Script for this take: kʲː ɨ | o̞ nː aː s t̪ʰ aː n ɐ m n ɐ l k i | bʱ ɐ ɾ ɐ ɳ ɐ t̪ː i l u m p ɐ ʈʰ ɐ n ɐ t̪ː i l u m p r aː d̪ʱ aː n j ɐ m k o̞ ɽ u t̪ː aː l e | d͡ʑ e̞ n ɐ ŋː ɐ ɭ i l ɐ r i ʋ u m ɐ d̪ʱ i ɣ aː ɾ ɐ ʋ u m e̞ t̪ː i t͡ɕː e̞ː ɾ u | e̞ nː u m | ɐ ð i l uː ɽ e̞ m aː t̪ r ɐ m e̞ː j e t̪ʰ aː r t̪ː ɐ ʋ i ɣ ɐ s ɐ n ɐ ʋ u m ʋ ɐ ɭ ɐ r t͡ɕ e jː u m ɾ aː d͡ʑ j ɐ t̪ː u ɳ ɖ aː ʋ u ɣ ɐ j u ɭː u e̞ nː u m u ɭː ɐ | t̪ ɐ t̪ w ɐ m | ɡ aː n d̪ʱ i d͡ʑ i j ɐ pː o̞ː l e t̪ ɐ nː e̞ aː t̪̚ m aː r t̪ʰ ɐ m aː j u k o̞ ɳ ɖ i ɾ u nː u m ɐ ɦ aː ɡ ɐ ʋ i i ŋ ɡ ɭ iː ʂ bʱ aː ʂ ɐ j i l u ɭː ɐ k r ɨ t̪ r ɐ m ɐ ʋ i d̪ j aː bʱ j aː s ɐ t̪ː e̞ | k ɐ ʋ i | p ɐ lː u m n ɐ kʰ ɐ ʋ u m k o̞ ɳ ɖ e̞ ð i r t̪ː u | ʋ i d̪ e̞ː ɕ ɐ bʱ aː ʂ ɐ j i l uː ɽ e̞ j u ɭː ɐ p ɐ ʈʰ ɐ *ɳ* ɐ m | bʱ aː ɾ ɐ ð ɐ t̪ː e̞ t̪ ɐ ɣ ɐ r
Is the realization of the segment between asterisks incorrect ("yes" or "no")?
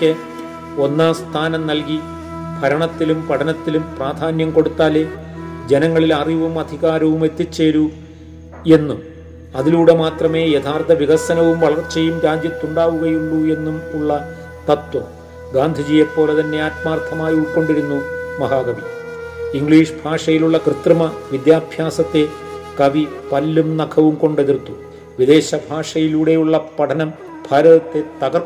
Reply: yes